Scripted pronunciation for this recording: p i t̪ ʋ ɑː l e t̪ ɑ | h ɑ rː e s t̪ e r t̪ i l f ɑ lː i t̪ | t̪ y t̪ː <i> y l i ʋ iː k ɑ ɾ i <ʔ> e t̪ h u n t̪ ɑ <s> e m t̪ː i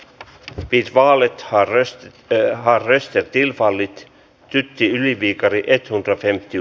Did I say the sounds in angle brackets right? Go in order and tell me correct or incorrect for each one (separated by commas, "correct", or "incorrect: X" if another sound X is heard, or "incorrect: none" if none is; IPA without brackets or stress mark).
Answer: correct, correct, incorrect: f